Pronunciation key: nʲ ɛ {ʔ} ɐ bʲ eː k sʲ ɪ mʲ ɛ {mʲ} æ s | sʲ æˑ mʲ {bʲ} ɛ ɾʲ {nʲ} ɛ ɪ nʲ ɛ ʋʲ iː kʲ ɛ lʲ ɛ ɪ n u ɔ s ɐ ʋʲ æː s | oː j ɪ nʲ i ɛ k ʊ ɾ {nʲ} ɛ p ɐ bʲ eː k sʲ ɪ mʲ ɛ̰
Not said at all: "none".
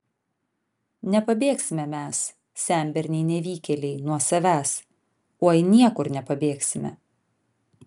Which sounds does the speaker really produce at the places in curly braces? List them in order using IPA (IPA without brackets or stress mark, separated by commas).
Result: p, mʲ, bʲ, nʲ, nʲ